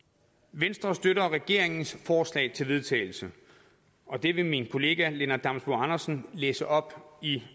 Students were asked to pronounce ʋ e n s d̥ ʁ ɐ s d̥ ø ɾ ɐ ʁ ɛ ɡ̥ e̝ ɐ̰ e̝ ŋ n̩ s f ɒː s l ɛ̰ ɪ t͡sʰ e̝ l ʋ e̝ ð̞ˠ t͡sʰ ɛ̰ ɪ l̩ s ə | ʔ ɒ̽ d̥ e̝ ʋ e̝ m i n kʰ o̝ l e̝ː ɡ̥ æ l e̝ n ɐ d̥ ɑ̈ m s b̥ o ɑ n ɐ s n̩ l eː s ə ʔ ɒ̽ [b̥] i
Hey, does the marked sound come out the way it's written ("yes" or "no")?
yes